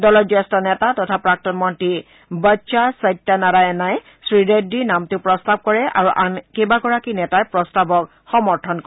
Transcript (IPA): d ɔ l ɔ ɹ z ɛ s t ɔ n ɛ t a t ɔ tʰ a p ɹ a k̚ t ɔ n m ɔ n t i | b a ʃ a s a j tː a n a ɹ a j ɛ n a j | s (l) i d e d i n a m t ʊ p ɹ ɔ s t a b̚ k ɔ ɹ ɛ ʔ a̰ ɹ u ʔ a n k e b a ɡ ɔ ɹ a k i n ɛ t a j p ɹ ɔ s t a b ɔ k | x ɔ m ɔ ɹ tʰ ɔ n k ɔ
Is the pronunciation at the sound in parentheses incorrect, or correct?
incorrect